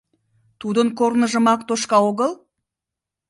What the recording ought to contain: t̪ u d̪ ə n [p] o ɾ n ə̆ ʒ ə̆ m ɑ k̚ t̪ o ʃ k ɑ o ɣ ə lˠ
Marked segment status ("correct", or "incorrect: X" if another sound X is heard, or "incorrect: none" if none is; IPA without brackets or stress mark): incorrect: k